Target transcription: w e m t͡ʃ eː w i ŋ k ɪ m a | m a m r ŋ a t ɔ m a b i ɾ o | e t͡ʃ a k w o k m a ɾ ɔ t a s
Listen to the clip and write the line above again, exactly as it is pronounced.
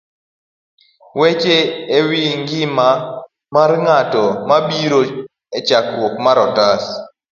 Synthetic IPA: w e t͡ʃ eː w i ŋ ɡ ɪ m a | m a r ŋ a t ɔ m a b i ɾ o | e t͡ʃ a k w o k m a ɾ ɔ t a s